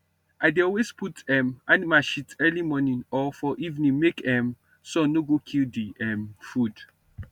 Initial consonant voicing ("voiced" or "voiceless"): voiced